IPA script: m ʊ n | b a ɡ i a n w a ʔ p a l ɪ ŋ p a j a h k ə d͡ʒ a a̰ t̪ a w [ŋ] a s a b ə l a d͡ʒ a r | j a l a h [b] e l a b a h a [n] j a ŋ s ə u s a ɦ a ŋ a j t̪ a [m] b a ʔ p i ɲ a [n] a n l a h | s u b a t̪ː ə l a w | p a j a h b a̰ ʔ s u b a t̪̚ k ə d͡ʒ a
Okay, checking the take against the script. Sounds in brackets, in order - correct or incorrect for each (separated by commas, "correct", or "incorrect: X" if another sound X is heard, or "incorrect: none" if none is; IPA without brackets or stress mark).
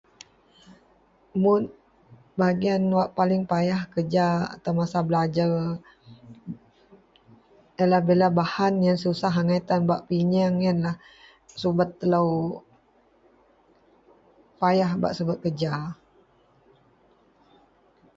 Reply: incorrect: m, correct, correct, incorrect: n, incorrect: ŋ